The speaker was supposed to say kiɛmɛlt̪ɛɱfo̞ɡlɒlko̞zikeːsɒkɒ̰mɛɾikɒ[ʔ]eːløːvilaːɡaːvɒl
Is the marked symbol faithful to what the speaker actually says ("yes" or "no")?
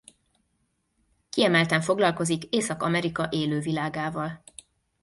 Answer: yes